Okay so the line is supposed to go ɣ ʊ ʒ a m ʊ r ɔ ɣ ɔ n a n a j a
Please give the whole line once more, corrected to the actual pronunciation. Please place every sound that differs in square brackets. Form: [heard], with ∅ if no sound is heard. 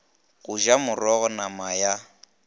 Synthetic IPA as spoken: ɣ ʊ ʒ a m ʊ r ɔ ɣ ɔ n a [m] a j a